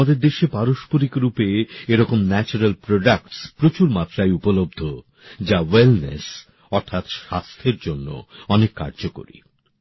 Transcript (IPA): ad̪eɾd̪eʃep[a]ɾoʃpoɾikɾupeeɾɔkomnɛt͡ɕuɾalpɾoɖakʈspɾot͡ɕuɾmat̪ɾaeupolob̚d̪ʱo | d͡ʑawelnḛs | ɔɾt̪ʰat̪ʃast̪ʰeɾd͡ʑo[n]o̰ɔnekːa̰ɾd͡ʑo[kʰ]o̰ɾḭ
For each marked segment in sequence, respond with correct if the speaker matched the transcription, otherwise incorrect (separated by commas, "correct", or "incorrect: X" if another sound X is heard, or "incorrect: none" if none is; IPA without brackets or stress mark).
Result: correct, incorrect: nː, incorrect: k